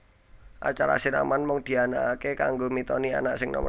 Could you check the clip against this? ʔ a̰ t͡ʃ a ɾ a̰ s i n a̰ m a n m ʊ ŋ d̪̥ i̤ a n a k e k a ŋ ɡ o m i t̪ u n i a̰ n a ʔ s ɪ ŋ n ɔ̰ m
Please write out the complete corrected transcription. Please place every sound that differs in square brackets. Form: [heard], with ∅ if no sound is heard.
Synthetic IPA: ʔ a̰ t͡ʃ a ɾ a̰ s i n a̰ m a n m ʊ ŋ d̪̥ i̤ a n a k e k a ŋ ɡ o m i t̪ [ɔ] n i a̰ n a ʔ s ɪ ŋ n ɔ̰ m